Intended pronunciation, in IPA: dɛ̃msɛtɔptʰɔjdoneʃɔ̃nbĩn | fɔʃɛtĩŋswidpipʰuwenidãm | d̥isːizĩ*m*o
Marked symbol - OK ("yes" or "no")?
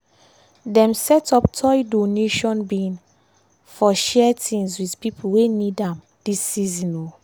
no